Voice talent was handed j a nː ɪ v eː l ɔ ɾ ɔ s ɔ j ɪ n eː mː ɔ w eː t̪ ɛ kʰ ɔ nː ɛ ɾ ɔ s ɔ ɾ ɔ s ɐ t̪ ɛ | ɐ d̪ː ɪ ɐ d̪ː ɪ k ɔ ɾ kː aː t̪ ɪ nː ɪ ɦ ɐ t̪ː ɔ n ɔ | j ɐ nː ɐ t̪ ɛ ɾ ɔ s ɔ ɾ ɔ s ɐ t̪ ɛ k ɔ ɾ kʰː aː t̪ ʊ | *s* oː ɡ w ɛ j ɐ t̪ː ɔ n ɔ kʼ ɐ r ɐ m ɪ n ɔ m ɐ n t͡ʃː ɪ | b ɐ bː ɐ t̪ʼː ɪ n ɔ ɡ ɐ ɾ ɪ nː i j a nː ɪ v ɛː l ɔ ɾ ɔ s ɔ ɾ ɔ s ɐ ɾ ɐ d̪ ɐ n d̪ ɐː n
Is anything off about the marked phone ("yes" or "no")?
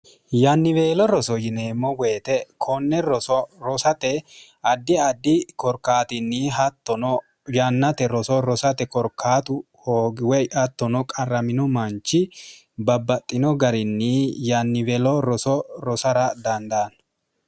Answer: yes